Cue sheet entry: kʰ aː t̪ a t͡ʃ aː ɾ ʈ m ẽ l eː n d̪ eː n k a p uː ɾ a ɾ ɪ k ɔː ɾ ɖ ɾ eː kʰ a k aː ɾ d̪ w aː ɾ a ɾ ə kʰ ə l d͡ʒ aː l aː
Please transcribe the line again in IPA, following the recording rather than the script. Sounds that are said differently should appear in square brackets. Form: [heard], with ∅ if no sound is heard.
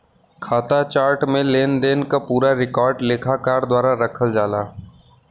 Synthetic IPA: kʰ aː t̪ a t͡ʃ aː ɾ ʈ m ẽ l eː n d̪ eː n k a p uː ɾ a ɾ ɪ k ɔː ɾ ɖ [l] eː kʰ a k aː ɾ d̪ w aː ɾ a ɾ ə kʰ ə l d͡ʒ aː l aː

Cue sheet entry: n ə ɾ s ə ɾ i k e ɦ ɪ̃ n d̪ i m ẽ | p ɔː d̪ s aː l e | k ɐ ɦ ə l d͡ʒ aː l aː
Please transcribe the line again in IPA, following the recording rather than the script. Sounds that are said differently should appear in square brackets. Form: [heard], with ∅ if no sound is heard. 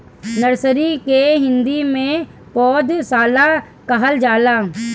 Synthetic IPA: n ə ɾ s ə ɾ i k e ɦ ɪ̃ n d̪ i m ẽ | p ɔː d̪ s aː l [a] | k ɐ ɦ ə l d͡ʒ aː l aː

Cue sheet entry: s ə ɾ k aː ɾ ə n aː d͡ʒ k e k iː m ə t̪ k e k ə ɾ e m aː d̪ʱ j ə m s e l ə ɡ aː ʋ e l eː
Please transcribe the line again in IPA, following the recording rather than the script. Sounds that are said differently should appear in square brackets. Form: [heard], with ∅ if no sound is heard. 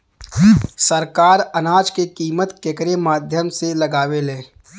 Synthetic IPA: s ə ɾ k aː ɾ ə n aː d͡ʒ k e k iː m ə t̪ k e k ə ɾ e m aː d̪ʱ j ə m s e l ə ɡ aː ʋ e l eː

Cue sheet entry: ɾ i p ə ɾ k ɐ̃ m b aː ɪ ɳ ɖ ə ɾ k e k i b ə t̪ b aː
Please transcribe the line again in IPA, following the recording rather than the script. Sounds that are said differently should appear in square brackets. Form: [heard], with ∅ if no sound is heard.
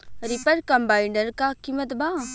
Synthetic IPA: ɾ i p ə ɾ k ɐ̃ m b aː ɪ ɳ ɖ ə ɾ k [a] k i [m] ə t̪ b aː

